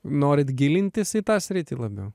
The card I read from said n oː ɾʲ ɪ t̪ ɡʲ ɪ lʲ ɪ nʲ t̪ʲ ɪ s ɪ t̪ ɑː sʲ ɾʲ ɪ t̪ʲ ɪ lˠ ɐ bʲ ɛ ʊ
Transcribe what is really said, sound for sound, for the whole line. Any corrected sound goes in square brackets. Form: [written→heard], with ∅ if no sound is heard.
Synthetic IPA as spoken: n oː ɾʲ ɪ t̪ ɡʲ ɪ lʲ ɪ nʲ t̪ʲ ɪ s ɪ t̪ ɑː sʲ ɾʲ ɪ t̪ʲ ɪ lˠ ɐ bʲ ɛ ʊ